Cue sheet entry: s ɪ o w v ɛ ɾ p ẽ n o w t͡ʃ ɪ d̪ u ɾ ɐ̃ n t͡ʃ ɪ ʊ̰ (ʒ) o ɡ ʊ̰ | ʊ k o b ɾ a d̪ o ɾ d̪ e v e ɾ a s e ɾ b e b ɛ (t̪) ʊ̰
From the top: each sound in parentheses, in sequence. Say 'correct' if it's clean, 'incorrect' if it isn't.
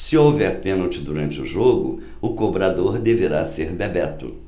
correct, correct

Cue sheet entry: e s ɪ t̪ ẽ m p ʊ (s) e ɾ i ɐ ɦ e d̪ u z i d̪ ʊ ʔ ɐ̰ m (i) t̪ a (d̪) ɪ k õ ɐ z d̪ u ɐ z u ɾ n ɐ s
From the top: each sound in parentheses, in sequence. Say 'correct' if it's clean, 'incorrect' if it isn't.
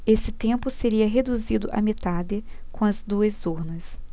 correct, incorrect, correct

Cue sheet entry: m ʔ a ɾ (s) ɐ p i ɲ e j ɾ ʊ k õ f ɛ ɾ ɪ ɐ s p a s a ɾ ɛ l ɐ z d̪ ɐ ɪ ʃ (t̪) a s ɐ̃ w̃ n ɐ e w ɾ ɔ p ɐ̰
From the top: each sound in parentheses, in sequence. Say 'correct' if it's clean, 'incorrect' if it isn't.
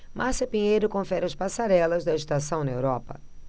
correct, correct

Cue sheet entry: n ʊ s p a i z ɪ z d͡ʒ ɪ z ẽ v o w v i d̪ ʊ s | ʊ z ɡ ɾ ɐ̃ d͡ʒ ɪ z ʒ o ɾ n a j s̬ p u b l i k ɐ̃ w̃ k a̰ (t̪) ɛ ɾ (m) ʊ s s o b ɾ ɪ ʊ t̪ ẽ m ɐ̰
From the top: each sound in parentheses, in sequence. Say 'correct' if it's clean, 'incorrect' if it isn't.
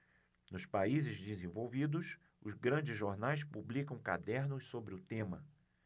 incorrect, incorrect

